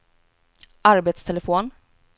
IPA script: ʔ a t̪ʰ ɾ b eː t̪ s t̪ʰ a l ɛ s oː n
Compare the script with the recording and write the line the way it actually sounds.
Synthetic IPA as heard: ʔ a ɾ b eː t̪ s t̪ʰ ɛ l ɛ f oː n